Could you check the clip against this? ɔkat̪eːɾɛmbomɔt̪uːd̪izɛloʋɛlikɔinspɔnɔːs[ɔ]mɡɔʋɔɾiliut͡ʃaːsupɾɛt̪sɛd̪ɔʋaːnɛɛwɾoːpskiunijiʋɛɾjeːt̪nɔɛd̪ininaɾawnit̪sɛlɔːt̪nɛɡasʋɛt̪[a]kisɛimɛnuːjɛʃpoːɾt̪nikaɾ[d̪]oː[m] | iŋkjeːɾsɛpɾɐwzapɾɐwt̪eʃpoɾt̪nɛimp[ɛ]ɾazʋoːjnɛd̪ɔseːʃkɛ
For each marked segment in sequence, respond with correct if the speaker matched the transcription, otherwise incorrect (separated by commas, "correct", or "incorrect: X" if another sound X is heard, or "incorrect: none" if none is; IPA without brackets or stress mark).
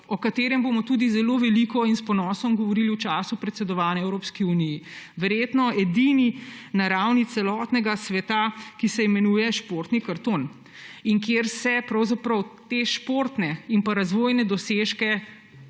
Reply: correct, correct, incorrect: t̪, incorrect: n, incorrect: a